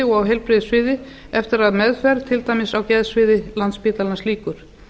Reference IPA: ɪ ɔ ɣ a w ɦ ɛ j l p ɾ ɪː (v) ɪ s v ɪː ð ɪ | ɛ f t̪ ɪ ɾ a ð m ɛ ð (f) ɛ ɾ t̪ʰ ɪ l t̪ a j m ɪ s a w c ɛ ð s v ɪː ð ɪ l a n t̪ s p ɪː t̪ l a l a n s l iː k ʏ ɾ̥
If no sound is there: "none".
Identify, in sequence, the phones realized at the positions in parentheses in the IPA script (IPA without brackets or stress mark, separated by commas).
ð, f